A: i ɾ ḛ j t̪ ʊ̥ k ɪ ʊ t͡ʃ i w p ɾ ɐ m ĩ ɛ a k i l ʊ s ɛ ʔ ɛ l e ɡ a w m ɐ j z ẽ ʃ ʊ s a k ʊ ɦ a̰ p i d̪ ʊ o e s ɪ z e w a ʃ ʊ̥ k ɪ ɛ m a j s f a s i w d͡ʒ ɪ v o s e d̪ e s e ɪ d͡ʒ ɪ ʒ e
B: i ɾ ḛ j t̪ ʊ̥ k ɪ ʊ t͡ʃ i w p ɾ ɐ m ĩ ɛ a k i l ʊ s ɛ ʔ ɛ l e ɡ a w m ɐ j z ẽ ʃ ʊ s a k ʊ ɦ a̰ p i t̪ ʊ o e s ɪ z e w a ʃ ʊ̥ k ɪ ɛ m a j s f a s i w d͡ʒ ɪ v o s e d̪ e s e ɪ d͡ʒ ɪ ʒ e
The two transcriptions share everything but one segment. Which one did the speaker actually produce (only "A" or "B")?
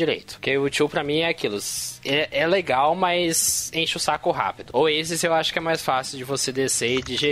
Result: A